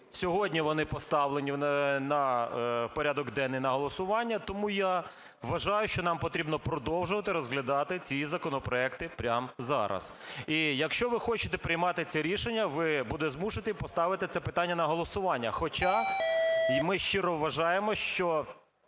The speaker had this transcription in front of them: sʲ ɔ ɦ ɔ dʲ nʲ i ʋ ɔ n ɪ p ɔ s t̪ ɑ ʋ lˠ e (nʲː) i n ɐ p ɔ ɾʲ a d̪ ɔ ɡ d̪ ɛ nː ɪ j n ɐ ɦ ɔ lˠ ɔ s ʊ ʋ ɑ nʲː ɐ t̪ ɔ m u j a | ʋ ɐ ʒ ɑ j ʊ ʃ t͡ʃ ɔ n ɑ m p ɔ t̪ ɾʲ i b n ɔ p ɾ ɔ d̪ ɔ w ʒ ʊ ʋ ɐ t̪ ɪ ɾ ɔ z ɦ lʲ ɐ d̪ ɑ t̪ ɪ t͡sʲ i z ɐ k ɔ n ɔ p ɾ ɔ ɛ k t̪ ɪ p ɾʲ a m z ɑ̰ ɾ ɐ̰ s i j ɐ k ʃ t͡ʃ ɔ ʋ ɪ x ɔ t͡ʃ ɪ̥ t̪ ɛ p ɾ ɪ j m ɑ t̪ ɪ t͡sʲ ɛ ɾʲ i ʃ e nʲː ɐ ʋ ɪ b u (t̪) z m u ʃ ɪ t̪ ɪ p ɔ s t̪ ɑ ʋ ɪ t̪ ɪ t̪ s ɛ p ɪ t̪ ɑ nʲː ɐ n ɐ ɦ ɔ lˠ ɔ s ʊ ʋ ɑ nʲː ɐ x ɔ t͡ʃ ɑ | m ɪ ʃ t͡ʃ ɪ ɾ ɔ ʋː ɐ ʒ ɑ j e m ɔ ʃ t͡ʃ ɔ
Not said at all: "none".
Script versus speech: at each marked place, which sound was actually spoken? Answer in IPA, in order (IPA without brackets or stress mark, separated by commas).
nʲ, d̪